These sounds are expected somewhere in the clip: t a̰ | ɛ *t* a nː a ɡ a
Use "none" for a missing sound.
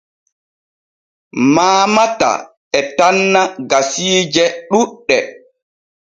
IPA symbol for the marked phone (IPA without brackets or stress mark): t